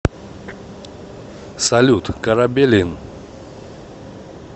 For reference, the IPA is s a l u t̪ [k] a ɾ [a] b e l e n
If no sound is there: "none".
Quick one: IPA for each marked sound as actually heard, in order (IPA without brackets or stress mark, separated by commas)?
k, a